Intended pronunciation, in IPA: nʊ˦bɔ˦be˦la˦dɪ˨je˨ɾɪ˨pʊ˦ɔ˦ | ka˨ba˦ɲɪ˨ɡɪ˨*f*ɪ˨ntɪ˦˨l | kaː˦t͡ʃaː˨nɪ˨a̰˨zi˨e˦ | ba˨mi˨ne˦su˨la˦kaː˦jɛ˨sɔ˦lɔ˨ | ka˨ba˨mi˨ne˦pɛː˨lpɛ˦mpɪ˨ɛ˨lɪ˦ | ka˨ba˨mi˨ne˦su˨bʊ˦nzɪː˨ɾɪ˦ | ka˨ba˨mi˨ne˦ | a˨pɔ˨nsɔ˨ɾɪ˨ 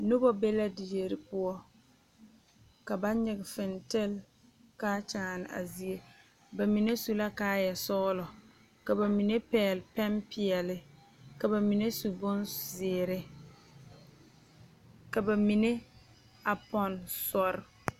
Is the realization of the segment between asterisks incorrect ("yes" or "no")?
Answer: no